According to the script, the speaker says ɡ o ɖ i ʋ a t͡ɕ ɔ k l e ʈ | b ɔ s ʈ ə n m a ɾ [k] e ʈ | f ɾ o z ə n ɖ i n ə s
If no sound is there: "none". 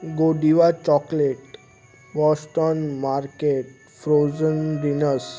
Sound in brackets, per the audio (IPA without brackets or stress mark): k